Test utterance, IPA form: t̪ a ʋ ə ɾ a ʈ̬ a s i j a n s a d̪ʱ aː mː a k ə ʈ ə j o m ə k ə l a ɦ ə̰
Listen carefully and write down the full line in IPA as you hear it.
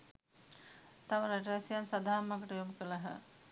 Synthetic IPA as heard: t̪ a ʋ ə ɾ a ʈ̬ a s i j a n s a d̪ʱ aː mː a k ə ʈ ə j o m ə k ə l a ɦ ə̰